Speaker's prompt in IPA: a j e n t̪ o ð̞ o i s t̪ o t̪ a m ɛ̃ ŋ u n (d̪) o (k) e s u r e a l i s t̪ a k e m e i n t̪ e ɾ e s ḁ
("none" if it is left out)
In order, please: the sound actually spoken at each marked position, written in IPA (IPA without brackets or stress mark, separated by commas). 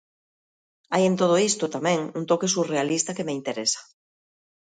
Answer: t̪, k